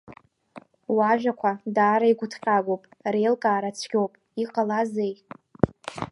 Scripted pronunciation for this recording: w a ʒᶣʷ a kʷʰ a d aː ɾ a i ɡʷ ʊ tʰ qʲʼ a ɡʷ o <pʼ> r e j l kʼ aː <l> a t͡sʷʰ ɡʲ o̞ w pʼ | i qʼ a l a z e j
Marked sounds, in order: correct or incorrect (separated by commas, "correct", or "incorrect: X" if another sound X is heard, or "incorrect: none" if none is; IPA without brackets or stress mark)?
correct, incorrect: ɾ